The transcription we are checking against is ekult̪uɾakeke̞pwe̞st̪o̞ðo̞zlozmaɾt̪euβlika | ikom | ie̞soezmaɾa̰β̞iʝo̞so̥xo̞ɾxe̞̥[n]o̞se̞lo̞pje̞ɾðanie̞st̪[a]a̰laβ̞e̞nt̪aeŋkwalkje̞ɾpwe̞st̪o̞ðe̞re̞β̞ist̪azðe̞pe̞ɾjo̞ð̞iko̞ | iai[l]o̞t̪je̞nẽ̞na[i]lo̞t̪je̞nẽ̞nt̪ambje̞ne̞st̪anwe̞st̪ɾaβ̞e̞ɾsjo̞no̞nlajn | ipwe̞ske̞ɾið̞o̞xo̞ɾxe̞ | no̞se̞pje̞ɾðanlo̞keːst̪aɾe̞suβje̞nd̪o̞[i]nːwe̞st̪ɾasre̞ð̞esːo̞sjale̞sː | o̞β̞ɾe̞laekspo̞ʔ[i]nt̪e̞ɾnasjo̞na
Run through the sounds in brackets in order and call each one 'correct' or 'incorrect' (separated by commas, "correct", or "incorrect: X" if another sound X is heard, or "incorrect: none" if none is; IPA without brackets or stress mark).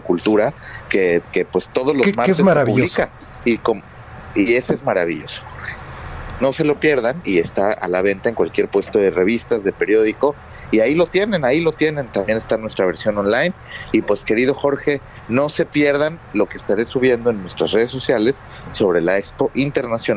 correct, correct, correct, correct, incorrect: e, correct